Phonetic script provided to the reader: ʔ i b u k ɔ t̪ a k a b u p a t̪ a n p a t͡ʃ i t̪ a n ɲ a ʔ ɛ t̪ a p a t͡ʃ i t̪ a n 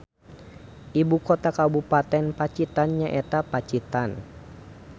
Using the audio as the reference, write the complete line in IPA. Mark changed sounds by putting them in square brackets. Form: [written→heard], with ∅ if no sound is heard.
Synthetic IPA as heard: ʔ i b u k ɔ t̪ a k a b u p a t̪ [a→ɛ] n p a t͡ʃ i t̪ a n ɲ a ʔ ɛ t̪ a p a t͡ʃ i t̪ a n